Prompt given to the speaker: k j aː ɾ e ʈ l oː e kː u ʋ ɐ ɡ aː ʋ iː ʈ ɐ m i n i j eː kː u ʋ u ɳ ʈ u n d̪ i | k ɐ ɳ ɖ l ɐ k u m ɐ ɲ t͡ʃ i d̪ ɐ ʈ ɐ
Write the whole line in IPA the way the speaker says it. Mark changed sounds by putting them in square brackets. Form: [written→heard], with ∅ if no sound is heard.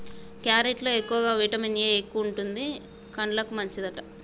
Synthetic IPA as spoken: k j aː ɾ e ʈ l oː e kː u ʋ ɐ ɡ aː ʋ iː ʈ ɐ m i n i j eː kː u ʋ u ɳ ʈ u n d̪ i | k ɐ ɳ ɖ l ɐ k u m ɐ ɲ t͡ʃ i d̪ ɐ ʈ ɐ